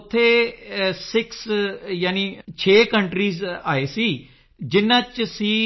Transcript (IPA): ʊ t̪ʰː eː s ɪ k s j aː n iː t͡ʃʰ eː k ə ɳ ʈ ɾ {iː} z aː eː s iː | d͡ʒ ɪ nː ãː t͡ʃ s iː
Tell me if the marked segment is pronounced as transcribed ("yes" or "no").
yes